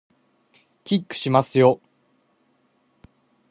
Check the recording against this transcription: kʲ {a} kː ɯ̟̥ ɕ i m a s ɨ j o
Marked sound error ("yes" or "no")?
yes